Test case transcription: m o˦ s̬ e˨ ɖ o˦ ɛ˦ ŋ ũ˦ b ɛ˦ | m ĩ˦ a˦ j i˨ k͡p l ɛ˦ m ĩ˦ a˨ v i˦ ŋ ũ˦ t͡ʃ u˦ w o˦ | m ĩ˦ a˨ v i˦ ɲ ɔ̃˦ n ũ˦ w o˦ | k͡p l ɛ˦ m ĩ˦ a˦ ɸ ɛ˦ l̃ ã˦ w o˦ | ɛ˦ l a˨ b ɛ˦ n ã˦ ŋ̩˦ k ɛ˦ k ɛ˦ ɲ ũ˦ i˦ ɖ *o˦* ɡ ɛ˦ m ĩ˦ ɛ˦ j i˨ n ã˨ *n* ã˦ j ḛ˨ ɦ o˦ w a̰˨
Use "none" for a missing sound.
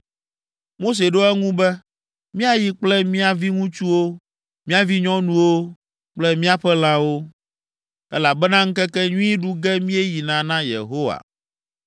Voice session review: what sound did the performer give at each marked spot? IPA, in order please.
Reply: u˦, n

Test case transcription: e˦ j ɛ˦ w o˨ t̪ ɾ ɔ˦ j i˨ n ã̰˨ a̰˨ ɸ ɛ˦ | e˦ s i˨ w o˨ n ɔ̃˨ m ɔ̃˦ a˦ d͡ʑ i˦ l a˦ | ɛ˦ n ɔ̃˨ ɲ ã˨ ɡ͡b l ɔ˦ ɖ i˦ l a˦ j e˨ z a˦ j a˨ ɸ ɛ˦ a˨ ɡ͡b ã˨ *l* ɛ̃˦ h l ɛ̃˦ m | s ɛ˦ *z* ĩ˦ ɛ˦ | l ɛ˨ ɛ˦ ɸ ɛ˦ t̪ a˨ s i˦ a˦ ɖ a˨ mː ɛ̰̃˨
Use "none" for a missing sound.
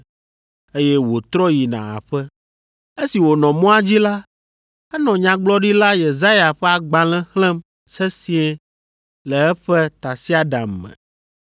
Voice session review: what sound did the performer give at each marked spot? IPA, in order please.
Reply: l, s

